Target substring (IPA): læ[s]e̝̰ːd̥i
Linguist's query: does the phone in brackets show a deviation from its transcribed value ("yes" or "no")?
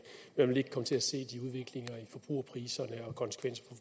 no